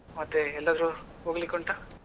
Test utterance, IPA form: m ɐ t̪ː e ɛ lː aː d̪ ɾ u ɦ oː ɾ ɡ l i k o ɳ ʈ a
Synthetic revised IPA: m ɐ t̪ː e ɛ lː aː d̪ ɾ u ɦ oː ɡ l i k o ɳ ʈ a